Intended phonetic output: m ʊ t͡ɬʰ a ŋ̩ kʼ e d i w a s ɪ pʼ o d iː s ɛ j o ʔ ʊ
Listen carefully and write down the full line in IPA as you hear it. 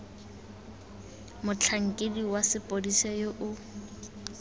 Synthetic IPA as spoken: m ʊ t͡ɬʰ a ŋ̩ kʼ e d i w a s ɪ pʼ o d i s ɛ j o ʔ ʊ